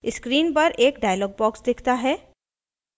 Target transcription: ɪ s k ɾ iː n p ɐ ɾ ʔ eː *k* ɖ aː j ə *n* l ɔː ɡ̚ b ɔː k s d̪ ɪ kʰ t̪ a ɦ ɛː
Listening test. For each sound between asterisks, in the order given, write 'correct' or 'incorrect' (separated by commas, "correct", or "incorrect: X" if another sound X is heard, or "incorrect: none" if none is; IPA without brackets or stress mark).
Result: correct, incorrect: none